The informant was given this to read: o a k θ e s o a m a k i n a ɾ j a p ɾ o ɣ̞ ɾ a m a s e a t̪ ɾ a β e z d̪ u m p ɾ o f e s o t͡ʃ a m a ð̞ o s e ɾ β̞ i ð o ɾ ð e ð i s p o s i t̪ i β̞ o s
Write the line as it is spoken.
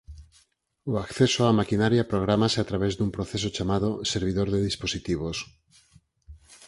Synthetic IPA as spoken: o a k θ e s o a m a k i n a ɾ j a p ɾ o ɣ̞ ɾ a m a s e a t̪ ɾ a β e z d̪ u m p ɾ o θ e s o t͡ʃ a m a ð̞ o s e ɾ β̞ i ð o ɾ ð e ð i s p o s i t̪ i β̞ o s